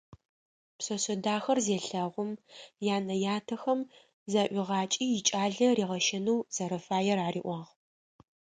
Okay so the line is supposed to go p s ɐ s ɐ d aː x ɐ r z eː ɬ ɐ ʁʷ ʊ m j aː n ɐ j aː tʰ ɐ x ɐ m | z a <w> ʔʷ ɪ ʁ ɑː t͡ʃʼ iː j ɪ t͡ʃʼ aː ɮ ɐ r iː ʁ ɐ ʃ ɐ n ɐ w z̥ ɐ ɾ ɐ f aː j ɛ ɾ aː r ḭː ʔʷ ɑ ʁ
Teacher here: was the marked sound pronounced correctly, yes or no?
no